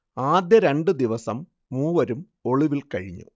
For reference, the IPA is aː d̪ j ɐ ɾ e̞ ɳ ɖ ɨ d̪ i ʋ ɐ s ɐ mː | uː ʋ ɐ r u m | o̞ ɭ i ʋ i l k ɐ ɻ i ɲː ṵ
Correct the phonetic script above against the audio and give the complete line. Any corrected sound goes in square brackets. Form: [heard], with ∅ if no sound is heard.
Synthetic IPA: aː d̪ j ɐ ɾ e̞ ɳ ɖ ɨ d̪ i ʋ ɐ s ɐ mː | uː ʋ ɐ [ɾ] u m | o̞ ɭ i ʋ i l k ɐ ɻ i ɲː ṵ